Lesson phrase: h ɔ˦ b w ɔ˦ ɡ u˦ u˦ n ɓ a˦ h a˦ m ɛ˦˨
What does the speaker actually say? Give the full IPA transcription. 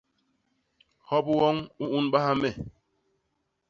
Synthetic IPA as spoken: h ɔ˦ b w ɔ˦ ŋ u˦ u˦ n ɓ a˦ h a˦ m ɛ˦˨